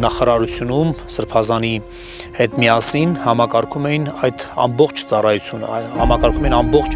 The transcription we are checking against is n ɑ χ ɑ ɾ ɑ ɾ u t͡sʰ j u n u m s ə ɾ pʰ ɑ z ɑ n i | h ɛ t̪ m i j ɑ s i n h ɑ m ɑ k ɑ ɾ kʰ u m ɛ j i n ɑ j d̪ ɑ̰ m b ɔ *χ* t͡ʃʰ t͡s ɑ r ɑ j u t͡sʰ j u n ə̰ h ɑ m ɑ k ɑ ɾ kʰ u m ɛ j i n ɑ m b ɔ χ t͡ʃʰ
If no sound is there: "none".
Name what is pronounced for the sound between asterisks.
χ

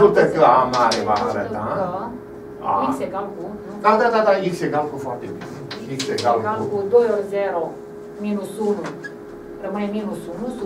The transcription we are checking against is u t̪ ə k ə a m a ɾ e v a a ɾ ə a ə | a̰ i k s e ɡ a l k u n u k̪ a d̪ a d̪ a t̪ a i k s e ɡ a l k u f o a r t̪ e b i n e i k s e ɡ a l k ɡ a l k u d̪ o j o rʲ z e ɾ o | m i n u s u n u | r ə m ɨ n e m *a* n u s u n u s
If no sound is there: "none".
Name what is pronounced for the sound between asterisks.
i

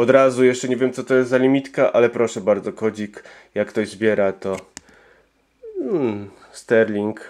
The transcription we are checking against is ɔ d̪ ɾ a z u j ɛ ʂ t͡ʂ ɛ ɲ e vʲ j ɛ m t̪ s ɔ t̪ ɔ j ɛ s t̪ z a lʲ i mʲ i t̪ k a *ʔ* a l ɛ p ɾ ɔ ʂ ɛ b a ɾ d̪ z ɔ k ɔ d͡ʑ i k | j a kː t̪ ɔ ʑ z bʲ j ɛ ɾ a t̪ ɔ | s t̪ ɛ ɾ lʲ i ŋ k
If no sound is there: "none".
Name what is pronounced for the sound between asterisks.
ʔ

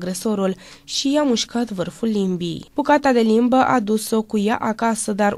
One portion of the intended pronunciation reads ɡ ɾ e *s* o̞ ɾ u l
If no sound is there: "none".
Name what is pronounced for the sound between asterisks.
s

